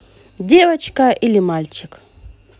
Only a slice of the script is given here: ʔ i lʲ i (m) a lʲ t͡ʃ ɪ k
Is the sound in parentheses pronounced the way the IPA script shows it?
yes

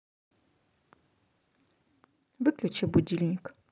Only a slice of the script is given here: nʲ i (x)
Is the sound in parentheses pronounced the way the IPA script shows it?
no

